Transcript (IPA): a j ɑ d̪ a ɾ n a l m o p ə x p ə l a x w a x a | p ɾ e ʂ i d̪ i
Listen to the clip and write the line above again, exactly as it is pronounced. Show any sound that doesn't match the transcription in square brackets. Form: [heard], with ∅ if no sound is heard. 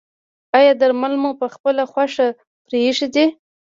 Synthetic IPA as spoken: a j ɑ d̪ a ɾ [m] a l m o p ə x p ə l a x w a [ʂ] a | p ɾ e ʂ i d̪ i